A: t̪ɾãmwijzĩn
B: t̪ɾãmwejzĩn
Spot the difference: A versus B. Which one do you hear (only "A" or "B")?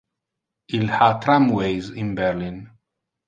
B